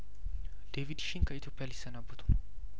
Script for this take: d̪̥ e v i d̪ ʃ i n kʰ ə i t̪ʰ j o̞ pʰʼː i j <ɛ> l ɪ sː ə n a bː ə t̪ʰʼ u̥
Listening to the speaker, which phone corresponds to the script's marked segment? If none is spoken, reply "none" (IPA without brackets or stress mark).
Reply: a